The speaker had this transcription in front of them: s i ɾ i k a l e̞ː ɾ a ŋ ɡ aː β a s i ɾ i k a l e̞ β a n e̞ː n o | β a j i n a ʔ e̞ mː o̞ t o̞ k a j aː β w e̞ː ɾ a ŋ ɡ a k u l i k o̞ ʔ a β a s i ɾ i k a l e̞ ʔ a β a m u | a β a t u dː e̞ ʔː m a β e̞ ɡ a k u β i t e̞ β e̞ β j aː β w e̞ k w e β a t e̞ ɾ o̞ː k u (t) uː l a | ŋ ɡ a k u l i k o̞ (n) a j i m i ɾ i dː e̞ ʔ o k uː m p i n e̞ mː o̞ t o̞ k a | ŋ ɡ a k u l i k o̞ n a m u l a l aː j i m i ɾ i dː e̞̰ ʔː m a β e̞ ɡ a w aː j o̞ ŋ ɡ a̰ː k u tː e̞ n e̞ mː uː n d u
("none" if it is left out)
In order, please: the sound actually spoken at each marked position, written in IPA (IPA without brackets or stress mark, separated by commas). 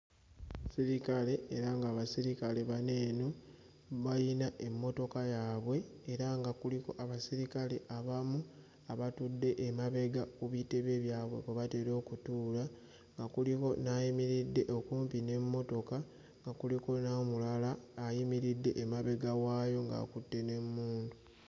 t, n